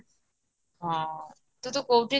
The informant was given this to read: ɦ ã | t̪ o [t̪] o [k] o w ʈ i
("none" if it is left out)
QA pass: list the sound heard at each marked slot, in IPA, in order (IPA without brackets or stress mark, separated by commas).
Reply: t̪, k